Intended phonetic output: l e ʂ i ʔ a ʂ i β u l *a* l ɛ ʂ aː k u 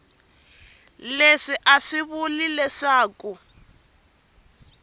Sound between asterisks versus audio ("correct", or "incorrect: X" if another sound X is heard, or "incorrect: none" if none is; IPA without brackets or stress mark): incorrect: i